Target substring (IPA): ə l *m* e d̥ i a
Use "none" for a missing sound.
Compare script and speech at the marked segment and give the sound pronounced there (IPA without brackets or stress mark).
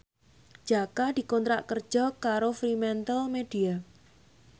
m